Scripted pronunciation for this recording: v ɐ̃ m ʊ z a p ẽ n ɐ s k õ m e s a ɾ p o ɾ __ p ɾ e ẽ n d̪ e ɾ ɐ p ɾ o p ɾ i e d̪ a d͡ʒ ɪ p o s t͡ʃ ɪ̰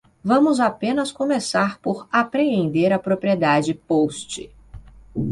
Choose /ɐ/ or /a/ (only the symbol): a